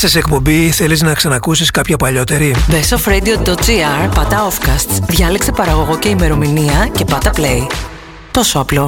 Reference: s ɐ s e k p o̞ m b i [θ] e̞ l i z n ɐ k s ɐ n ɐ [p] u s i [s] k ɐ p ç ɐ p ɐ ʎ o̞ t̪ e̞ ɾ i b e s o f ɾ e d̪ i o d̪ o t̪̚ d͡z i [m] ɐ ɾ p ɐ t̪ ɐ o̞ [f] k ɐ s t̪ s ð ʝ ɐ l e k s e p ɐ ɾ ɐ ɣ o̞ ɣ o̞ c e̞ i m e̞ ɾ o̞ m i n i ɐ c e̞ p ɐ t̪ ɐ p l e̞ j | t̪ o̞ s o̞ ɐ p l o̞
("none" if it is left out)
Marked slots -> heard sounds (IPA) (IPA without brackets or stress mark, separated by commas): θ, k, s, none, f